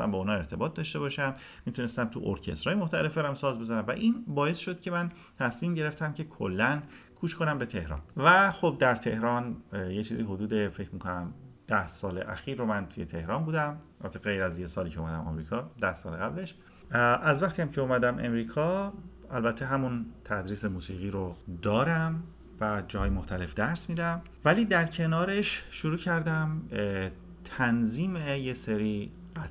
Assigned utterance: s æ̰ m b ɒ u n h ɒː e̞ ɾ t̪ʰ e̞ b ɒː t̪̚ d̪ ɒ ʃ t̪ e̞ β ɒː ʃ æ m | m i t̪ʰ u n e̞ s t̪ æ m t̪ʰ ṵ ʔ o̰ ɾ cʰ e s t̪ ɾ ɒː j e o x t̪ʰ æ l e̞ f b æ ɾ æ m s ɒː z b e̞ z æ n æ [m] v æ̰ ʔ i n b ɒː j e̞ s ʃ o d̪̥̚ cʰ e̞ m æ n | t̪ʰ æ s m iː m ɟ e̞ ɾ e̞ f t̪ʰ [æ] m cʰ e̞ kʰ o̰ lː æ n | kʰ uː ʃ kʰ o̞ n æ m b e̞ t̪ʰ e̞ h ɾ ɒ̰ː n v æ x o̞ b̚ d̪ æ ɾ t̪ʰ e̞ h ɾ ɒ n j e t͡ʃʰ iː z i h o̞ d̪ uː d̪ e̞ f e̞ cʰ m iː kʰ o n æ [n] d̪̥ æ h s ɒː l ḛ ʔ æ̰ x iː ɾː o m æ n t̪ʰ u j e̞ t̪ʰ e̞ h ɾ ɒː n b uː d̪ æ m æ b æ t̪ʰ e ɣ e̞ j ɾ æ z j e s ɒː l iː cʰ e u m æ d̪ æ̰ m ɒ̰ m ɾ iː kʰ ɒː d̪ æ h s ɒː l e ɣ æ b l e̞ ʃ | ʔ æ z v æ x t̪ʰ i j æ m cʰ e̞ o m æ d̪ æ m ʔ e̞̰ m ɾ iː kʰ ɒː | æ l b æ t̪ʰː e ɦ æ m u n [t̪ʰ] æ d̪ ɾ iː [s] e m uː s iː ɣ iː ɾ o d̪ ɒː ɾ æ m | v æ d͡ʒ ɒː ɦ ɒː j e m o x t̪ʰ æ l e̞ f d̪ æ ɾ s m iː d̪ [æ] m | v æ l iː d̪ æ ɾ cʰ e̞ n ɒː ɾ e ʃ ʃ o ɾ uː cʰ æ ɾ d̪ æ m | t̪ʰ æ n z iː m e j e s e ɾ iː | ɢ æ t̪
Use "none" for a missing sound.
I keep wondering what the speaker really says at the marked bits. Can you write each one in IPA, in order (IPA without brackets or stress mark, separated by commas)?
m, æ, m, t̪ʰ, s, æ